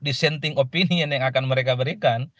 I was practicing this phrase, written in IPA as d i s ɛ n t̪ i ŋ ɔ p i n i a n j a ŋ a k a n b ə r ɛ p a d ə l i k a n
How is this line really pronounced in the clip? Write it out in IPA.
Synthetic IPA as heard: d i s ɛ n t̪ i ŋ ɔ p i n i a n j a ŋ a k a n m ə ɾ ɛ k a b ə ɾ i k a n